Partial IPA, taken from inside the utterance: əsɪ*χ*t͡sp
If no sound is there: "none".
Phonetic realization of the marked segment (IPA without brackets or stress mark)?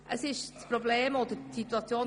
ʃ